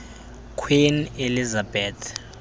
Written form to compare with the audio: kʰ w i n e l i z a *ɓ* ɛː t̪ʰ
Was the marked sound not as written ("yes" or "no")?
yes